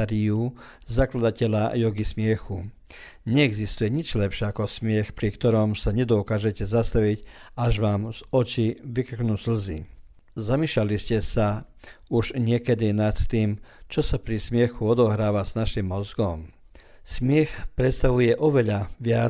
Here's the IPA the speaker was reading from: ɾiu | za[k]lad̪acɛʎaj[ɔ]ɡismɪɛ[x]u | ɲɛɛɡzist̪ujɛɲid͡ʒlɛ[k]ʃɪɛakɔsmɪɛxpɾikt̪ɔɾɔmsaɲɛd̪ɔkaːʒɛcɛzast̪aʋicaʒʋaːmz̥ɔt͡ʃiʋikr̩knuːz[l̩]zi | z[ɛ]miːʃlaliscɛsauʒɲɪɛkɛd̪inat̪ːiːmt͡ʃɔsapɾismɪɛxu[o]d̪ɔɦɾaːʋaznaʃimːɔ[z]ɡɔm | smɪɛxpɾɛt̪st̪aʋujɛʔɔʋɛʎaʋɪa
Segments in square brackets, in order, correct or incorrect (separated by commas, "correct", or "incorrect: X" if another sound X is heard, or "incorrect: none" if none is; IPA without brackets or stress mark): correct, correct, correct, incorrect: p, correct, incorrect: a, incorrect: ɔ, correct